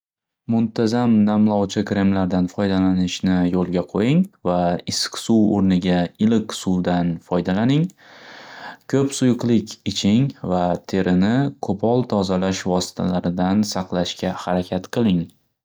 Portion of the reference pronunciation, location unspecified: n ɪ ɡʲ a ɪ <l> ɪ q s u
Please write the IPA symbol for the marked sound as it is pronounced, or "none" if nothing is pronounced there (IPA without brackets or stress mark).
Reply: l